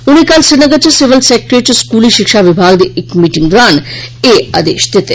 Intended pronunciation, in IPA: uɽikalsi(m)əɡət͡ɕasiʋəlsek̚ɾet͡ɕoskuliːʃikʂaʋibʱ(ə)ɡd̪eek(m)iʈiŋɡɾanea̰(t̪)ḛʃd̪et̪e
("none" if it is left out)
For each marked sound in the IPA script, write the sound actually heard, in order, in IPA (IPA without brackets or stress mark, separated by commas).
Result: n, a, m, d̪